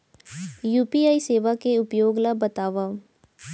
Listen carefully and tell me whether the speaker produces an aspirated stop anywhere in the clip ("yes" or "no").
no